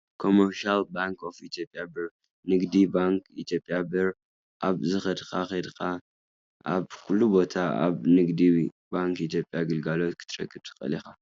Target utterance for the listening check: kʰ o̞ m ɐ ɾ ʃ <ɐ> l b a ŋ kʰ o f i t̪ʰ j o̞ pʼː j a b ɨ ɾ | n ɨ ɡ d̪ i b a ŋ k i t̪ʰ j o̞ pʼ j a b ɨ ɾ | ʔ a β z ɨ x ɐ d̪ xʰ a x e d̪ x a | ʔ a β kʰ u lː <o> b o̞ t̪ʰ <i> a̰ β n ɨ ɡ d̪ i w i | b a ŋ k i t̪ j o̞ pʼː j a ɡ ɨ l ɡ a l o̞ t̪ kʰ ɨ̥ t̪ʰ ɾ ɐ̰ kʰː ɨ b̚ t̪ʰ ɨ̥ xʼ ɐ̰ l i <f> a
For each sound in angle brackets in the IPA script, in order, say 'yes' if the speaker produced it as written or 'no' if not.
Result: no, no, no, no

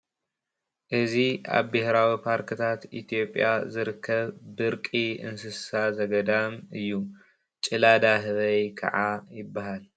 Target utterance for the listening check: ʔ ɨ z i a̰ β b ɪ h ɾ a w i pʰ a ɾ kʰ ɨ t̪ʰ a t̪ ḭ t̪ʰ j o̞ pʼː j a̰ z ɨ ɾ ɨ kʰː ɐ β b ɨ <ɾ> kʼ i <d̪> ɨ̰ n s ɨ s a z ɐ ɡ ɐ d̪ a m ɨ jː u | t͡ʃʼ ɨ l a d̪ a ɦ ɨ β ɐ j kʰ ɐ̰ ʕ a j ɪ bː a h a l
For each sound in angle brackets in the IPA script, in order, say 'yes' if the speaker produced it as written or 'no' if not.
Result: yes, no

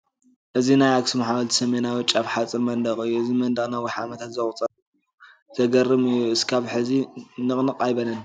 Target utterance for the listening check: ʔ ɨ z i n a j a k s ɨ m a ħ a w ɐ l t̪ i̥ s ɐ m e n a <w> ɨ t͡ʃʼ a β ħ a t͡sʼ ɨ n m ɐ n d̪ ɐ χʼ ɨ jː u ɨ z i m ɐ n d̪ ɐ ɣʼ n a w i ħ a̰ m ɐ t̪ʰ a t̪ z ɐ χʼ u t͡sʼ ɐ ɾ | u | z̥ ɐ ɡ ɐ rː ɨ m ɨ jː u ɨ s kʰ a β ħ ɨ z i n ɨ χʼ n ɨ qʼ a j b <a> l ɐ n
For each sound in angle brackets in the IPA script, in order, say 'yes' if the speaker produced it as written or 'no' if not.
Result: yes, no

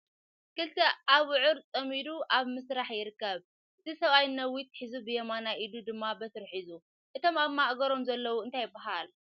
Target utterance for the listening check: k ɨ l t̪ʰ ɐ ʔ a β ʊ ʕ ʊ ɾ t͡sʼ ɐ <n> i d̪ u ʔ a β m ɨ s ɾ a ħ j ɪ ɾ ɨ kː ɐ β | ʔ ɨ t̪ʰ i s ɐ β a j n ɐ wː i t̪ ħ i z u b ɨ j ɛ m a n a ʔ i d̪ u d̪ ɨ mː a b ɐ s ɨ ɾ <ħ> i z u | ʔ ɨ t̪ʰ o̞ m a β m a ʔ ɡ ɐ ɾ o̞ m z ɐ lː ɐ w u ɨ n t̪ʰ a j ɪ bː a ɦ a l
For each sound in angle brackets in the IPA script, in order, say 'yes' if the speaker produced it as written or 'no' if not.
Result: no, yes

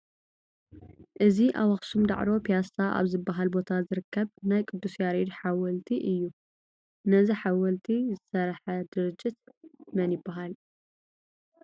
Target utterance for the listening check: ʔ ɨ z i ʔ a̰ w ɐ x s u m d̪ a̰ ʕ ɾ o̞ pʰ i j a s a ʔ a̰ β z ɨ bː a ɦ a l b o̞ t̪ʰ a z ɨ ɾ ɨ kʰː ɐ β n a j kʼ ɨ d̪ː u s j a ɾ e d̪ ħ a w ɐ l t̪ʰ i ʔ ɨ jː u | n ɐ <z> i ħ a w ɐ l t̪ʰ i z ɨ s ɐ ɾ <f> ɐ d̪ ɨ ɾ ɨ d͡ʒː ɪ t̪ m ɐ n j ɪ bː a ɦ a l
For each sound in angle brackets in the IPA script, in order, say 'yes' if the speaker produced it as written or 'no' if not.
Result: yes, no

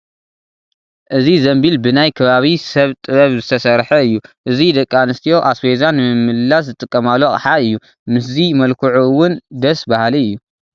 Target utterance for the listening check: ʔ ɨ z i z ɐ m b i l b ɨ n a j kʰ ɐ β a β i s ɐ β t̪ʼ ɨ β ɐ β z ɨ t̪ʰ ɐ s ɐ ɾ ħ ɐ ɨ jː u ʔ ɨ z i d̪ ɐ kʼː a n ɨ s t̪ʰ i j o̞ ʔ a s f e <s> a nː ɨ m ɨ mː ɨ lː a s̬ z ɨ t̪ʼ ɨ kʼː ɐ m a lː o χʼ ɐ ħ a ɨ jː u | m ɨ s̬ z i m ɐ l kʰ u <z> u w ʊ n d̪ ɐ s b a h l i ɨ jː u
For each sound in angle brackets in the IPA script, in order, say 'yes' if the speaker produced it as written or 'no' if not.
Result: no, no

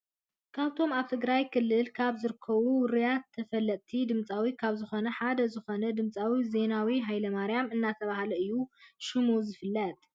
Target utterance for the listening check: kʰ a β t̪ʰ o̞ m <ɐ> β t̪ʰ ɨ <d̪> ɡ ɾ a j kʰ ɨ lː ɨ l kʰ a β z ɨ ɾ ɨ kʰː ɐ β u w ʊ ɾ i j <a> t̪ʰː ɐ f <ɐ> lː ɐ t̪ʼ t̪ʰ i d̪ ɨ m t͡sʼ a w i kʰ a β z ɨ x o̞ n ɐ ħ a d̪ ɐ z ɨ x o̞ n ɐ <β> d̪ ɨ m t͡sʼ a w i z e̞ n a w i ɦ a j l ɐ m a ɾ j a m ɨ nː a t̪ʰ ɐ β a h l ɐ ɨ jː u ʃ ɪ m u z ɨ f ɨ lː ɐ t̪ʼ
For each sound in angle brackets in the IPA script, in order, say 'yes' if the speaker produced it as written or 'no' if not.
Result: no, no, yes, yes, no

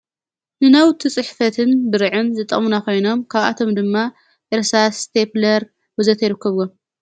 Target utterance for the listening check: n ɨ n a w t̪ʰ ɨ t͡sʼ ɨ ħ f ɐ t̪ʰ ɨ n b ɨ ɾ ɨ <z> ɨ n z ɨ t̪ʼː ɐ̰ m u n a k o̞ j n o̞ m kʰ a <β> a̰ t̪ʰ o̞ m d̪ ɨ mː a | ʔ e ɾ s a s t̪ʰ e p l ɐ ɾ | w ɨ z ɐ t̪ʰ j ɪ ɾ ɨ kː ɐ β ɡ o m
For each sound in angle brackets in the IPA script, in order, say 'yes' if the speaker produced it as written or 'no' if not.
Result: no, yes

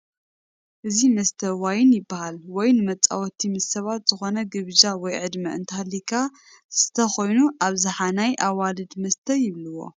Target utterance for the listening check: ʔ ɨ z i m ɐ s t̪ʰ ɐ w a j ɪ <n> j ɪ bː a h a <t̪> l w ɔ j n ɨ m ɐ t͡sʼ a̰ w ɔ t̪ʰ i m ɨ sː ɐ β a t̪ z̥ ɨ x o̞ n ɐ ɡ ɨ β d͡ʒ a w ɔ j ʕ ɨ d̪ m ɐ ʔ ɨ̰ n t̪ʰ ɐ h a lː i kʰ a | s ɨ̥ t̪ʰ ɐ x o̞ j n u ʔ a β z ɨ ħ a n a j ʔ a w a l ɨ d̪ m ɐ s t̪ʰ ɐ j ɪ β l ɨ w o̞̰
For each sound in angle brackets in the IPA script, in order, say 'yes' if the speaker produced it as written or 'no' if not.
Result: yes, no

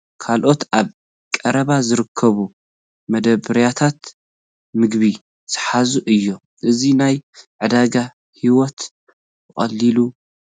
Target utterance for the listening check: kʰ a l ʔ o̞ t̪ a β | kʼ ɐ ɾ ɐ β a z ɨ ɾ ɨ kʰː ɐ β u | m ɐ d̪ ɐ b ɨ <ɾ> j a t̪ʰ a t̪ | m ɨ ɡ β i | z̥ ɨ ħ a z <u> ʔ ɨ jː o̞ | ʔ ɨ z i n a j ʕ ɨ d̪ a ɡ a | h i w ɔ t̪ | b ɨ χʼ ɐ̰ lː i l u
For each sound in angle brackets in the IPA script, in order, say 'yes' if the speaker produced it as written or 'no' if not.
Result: yes, yes

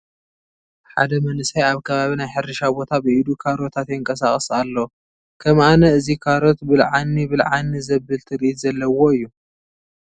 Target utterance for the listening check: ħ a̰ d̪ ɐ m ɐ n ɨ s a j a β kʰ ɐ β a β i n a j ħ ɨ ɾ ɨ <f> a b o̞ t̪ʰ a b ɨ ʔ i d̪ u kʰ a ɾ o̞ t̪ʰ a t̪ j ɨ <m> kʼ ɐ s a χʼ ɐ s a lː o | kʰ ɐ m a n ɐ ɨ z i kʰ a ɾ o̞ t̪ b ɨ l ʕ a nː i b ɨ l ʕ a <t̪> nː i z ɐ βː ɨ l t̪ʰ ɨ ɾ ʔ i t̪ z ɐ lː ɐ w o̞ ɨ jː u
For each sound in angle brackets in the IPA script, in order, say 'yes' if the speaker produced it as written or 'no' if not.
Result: no, no, no

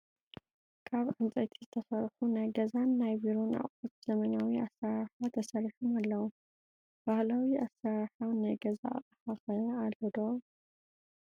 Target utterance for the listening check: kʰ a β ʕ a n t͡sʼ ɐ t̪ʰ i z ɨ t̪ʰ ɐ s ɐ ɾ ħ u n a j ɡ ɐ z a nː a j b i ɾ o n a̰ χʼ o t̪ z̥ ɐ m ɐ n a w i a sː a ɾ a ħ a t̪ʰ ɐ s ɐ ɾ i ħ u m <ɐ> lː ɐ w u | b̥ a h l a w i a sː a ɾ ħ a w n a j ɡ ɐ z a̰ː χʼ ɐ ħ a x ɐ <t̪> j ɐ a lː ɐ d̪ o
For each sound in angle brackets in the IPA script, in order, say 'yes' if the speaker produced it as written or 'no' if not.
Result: no, no

